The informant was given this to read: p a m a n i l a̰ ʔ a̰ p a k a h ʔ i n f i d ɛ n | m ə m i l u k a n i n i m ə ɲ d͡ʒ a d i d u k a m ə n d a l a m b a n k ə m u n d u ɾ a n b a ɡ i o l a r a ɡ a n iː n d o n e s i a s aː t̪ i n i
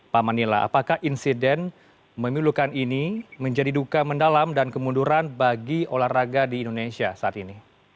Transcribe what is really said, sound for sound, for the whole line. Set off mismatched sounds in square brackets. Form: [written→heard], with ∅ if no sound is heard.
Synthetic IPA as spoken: p a m a n i l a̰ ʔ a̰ p a k a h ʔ i n [f→s] i d ɛ n | m ə m i l u k a n i n i m ə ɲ d͡ʒ a d i d u k a m ə n d a l a m [b→d] a n k ə m u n d u ɾ a n b a ɡ i o l a r a ɡ a [n→d] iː n d o n e s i a s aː t̪ i n i